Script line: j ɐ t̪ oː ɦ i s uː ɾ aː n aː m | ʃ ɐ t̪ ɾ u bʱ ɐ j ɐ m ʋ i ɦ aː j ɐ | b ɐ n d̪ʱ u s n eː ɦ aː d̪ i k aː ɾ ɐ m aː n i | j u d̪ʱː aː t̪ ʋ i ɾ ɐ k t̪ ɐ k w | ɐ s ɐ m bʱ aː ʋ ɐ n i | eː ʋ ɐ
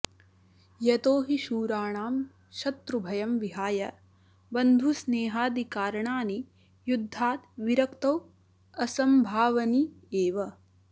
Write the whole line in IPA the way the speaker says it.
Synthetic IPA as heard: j ɐ t̪ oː ɦ i ʃ uː ɾ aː ɳ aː m | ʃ ɐ t̪ ɾ u bʱ ɐ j ɐ m ʋ i ɦ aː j ɐ | b ɐ n d̪ʱ u s n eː ɦ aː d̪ i k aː ɾ ɐ ɳ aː n i | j u d̪ʱː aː t̪ ʋ i ɾ ɐ k t̪ ɐ w | ɐ s ɐ m bʱ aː ʋ ɐ n i | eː ʋ ɐ